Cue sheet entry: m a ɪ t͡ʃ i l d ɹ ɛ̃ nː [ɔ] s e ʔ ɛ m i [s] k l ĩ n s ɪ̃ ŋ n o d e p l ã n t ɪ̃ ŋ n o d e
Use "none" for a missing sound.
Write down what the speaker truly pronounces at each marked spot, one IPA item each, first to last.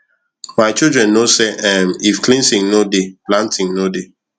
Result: o, f

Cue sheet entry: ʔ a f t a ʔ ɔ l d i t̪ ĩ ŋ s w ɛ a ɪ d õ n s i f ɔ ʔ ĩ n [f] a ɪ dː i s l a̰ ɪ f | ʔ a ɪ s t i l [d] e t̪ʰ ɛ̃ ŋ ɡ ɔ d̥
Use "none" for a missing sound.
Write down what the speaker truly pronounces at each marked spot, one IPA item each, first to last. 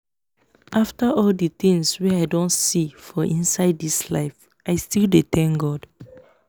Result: s, d

